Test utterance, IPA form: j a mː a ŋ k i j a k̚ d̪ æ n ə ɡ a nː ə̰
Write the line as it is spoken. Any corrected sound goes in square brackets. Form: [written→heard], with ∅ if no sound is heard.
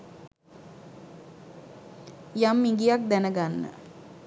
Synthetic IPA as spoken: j a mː [a→i] ŋ [k→ɡ] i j a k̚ d̪ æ n ə ɡ a nː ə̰